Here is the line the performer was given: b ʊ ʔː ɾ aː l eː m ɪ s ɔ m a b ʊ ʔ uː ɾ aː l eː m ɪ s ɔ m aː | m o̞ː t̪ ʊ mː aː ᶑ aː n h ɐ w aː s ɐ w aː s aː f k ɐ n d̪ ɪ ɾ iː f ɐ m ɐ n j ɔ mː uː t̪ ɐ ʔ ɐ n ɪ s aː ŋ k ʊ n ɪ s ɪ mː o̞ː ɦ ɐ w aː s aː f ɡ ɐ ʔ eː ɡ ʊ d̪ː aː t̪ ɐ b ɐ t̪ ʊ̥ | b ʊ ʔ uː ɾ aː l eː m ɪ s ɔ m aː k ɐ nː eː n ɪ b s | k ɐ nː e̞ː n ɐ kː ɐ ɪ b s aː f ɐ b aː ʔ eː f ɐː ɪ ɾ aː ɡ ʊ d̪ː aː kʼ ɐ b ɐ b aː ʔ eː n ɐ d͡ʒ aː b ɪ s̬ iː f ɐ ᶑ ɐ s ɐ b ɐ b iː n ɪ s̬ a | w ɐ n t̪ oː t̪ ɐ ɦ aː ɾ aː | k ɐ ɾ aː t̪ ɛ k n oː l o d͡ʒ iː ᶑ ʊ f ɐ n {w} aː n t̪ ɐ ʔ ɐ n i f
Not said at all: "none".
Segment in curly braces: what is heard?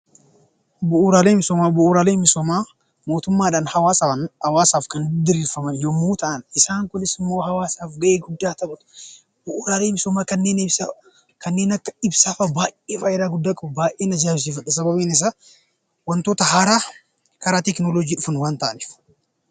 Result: w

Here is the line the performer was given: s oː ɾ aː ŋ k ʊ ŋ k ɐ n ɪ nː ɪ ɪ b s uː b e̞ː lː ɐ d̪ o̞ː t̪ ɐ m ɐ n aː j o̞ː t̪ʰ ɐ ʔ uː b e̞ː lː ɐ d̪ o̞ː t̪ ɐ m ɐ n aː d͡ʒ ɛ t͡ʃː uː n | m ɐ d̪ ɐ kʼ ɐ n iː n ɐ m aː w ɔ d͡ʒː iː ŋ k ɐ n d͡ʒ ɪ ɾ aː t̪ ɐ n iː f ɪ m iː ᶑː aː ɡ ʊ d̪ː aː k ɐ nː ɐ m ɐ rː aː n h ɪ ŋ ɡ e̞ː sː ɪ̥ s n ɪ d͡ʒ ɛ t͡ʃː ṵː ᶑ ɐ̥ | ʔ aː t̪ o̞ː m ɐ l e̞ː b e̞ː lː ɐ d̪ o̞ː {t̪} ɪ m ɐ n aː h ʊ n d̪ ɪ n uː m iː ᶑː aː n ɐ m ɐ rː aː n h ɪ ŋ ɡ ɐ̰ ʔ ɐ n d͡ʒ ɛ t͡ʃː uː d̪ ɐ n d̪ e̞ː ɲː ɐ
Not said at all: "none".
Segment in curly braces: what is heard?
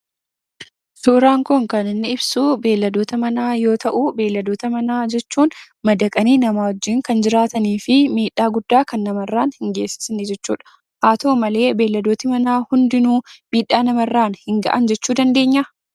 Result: t̪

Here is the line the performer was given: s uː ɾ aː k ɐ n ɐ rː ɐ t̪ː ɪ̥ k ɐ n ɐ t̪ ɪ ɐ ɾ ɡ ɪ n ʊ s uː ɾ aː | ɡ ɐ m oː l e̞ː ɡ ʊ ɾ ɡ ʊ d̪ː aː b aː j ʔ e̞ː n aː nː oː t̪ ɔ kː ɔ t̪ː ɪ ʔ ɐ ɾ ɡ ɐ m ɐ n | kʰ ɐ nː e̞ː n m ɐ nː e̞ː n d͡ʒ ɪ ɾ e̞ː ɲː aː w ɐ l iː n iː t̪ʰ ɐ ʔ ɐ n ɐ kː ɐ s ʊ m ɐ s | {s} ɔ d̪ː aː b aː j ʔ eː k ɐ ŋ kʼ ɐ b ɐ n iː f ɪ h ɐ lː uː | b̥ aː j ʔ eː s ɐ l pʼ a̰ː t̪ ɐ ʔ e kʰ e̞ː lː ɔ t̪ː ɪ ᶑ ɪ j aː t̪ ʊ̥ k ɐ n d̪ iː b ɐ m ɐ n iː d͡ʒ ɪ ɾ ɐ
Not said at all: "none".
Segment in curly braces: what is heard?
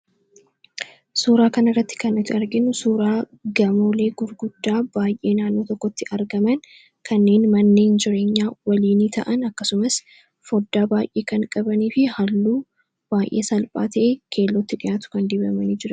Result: f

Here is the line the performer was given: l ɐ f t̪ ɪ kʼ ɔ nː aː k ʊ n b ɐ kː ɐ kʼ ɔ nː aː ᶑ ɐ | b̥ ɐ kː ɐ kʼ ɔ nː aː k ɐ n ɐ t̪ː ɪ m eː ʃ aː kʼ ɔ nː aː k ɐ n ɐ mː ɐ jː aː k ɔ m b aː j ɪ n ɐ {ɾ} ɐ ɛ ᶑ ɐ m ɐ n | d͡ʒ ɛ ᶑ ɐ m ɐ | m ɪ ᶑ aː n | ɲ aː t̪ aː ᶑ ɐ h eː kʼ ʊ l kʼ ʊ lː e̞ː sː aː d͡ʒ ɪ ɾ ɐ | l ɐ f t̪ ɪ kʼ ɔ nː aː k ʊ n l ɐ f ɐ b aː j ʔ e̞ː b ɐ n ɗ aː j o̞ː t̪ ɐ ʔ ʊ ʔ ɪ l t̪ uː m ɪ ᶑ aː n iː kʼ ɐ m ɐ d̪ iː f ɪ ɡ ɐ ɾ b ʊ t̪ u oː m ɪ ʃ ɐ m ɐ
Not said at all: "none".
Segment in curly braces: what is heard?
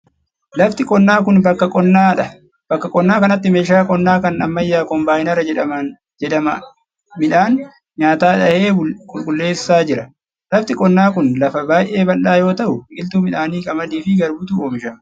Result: ɾ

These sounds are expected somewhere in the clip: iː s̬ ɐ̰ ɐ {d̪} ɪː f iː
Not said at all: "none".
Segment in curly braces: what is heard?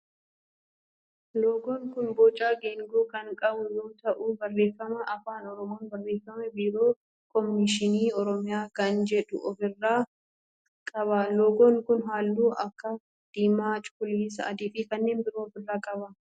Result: d̪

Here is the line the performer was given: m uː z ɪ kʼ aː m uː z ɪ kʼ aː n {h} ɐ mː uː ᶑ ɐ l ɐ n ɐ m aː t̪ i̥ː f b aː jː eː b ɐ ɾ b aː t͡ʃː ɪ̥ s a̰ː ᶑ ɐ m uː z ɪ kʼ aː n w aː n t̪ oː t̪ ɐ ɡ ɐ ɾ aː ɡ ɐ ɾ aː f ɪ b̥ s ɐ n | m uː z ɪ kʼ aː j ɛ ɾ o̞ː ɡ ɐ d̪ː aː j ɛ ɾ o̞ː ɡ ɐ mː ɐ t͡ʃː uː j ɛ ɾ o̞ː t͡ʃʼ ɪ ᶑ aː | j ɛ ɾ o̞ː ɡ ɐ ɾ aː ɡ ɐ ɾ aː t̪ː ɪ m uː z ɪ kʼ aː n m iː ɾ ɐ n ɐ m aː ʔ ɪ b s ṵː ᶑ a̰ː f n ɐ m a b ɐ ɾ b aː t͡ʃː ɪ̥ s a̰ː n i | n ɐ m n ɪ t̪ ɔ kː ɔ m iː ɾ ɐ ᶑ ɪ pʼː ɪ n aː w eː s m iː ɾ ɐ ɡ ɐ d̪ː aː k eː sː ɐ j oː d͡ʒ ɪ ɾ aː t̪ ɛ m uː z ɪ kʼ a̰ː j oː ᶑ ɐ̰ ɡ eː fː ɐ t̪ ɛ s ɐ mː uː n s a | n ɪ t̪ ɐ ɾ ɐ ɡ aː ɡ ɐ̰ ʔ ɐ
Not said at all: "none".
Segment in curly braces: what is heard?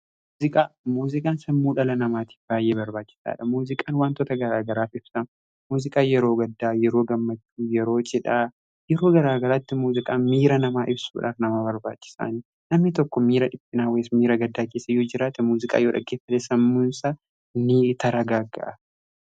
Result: s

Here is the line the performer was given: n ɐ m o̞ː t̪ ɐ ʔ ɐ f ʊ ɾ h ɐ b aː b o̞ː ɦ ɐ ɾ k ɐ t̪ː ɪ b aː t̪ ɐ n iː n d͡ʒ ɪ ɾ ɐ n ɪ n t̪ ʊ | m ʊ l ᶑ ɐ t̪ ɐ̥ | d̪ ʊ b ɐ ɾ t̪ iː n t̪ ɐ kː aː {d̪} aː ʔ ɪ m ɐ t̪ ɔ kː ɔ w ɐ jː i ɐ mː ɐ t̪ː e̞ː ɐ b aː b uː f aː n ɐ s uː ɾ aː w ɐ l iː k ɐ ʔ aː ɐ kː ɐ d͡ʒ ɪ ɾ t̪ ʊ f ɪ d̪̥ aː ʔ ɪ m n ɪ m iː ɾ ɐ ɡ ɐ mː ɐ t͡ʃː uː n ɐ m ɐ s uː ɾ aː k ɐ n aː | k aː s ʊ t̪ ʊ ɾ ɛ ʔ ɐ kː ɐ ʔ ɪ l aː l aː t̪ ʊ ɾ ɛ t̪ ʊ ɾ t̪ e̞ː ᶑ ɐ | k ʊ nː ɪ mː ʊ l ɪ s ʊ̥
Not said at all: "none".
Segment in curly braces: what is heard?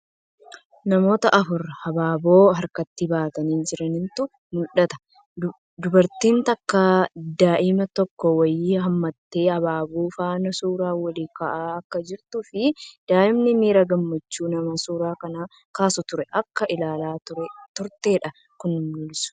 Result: d̪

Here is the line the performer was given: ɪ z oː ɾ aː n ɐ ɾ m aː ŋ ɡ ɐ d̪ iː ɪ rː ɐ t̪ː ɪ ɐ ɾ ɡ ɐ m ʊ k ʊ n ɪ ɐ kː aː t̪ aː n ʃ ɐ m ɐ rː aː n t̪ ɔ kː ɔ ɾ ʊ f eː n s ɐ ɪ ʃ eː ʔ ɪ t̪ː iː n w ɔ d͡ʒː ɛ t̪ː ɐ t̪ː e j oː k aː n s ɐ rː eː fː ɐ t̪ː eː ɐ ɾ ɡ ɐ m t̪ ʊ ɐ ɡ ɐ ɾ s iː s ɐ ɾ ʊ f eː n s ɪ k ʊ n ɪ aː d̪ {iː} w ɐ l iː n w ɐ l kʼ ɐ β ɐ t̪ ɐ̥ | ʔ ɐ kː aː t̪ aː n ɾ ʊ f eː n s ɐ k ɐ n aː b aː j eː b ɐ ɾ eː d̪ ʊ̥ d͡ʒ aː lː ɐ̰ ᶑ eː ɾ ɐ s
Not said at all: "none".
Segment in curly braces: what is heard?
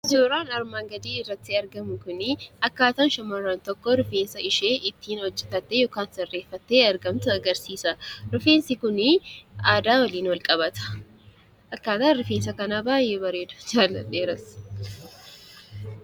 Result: aː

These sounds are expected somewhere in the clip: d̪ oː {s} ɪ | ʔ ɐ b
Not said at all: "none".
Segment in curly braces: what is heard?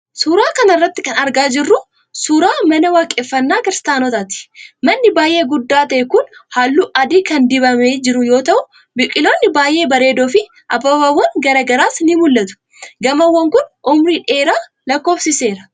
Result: f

